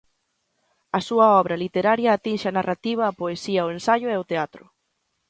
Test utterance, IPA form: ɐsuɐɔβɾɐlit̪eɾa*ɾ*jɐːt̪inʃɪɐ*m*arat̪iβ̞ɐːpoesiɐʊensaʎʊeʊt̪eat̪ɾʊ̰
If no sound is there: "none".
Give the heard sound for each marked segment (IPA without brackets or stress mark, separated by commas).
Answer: ɾ, n